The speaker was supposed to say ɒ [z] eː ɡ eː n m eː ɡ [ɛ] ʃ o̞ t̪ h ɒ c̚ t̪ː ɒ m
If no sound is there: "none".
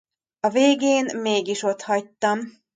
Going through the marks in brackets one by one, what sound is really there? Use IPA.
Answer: v, i

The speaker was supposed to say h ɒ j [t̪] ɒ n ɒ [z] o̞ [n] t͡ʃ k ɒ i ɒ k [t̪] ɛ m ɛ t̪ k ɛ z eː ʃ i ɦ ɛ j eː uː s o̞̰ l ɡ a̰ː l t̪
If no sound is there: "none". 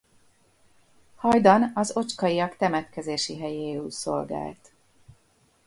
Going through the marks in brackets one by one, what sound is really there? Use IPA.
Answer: d̪, z, none, t̪

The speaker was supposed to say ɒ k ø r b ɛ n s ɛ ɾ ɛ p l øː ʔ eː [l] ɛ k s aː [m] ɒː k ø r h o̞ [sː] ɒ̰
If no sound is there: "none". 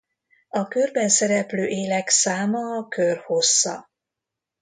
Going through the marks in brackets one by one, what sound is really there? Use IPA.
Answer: l, m, sː

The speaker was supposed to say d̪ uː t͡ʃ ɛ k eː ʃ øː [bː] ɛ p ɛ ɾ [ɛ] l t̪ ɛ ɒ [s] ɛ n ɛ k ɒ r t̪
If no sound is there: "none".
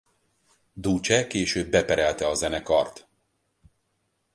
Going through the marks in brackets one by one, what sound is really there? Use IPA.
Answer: bː, ɛ, z

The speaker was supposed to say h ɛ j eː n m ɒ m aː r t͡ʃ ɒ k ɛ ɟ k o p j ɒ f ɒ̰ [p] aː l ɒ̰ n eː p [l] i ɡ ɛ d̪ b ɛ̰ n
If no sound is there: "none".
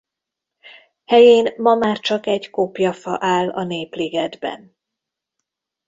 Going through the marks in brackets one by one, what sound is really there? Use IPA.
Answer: ʔ, l

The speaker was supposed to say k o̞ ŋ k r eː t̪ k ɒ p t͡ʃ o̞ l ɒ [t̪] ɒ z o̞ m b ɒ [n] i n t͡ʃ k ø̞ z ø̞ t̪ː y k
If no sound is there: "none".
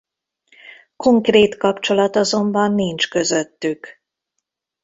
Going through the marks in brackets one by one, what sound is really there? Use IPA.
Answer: t̪, nː

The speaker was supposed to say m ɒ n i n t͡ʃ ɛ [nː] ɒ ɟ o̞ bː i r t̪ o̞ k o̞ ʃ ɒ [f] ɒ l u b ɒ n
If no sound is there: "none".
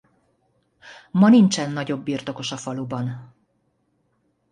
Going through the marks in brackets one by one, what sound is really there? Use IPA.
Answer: nː, f

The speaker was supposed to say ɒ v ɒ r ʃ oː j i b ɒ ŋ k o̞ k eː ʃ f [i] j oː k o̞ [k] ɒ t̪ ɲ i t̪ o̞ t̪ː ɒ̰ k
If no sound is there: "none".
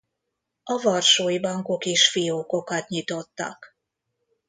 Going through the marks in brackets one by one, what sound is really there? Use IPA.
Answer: i, k

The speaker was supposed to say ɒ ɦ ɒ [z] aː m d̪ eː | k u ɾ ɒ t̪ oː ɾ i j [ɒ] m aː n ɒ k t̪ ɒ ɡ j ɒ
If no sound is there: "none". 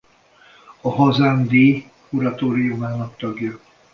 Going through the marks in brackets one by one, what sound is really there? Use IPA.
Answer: z, u

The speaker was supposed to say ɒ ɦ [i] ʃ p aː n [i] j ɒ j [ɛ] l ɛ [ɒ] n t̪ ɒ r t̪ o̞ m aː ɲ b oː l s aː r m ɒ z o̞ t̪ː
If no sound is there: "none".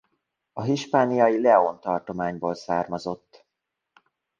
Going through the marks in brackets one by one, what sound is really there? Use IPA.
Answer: i, i, i, o

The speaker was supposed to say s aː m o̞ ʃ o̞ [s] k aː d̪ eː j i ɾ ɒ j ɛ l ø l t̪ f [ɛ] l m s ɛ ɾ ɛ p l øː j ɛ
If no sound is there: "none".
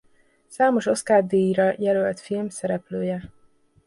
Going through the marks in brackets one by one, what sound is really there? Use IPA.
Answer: s, i

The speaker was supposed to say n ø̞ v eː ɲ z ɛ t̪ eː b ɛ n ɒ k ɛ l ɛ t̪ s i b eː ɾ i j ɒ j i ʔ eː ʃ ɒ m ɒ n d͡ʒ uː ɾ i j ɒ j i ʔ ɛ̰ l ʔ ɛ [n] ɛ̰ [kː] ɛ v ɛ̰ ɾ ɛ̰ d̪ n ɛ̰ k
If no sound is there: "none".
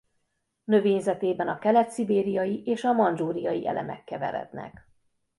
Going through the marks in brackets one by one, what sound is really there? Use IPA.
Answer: m, kː

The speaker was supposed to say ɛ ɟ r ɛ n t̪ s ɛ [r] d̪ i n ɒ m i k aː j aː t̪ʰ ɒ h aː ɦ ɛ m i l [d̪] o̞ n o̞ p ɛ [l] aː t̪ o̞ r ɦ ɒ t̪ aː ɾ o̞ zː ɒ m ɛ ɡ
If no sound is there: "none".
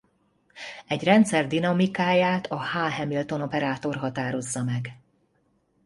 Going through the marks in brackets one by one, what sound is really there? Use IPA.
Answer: r, t̪, ɾ

